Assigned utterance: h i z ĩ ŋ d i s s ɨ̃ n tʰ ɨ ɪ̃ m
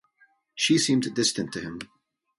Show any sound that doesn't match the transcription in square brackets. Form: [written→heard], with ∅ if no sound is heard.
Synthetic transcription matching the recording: [h→ʃ] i [z→s] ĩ [ŋ→m] d [i→ɪ] s [s→t] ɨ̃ n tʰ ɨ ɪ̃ m